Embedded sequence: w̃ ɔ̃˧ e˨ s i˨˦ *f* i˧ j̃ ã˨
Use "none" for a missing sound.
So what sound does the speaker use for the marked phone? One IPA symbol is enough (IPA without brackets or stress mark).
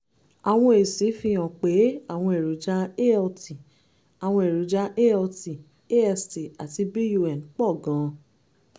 f